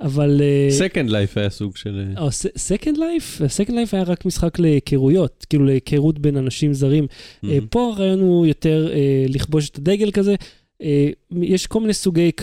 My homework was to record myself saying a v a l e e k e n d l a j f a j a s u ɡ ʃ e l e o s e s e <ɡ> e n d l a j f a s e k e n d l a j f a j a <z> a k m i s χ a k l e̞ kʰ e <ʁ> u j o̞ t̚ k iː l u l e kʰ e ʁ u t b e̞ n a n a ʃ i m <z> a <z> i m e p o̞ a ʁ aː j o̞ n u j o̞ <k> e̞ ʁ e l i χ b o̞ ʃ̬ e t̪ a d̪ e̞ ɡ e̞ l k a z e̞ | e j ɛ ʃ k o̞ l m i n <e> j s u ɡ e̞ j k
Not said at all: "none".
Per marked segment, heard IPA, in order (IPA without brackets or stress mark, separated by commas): k, ʁ, ʁ, z, ʁ, t, e